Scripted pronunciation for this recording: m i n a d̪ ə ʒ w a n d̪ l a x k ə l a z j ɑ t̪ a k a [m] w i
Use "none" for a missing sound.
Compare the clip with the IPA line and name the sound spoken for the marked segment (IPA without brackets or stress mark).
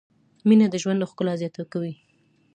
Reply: none